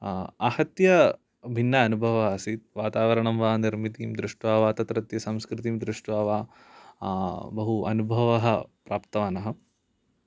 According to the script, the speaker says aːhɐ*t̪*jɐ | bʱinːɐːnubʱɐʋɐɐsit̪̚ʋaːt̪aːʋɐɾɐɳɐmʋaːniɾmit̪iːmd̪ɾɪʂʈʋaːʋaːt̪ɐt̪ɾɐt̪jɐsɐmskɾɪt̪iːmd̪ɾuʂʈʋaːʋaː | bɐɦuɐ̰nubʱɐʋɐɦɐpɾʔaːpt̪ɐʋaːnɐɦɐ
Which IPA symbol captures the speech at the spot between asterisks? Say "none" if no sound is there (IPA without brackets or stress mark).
t̪